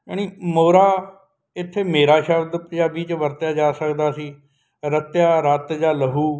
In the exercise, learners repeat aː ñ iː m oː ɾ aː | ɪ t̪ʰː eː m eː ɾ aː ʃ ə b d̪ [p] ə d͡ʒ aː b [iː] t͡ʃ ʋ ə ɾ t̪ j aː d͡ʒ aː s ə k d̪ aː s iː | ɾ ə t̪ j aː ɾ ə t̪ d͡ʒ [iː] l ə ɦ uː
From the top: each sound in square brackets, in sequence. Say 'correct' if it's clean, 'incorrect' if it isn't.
correct, correct, incorrect: aː

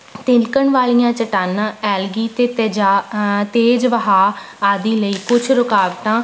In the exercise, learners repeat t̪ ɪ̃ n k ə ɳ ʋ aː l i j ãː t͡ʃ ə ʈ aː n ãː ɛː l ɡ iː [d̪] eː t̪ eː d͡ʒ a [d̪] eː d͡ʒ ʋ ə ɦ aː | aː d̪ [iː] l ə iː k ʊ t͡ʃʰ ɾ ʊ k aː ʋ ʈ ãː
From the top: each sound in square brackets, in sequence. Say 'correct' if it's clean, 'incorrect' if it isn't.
incorrect: t̪, incorrect: t̪, correct

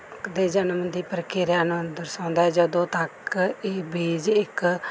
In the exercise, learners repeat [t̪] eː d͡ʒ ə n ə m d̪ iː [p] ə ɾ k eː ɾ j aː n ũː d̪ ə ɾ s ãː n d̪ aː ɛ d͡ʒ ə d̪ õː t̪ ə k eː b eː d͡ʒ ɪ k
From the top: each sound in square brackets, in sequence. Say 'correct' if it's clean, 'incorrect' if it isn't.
incorrect: d̪, correct

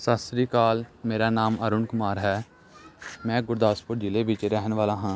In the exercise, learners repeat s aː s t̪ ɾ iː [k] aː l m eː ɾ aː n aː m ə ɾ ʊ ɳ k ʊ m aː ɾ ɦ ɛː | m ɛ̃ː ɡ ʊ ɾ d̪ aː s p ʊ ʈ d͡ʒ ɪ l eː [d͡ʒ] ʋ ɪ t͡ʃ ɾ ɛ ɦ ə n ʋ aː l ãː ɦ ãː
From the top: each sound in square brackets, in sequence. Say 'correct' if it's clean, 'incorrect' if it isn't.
correct, incorrect: none

